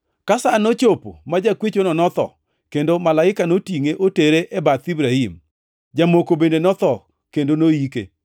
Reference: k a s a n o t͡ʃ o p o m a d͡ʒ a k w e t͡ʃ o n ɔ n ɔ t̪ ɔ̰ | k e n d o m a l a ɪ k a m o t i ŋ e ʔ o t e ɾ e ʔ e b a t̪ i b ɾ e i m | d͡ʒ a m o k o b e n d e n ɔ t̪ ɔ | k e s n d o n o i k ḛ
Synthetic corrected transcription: k a s a n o t͡ʃ o p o m a d͡ʒ a k w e t͡ʃ o n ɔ n ɔ t̪ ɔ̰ | k e n d o m a l a ɪ k a n o t i ŋ e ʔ o t e ɾ e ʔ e b a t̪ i b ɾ a i m | d͡ʒ a m o k o b e n d e n ɔ t̪ ɔ | k e n d o n o i k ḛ